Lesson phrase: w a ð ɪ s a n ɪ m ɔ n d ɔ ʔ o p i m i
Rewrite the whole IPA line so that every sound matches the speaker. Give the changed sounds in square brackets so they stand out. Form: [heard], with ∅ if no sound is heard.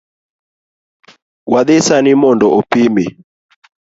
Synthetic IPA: w a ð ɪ s a n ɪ m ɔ n d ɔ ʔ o p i m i